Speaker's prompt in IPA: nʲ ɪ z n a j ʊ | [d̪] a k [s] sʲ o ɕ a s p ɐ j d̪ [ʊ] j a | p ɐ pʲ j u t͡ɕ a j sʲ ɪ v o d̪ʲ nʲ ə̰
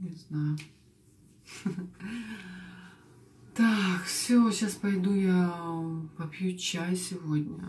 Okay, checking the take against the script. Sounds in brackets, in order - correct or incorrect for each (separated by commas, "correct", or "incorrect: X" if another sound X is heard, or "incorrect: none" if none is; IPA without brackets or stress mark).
incorrect: t̪, incorrect: f, incorrect: u